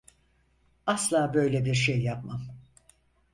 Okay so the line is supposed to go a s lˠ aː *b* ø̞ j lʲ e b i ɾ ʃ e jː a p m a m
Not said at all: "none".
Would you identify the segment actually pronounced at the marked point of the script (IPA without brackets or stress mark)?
b